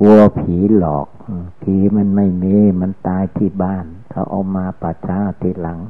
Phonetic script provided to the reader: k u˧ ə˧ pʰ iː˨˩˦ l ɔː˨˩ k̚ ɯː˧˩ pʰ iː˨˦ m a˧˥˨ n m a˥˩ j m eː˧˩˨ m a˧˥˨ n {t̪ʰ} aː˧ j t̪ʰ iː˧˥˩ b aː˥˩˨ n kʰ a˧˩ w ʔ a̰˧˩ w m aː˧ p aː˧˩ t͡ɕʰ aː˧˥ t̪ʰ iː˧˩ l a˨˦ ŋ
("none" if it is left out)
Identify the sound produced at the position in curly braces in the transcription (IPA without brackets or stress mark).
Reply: t̪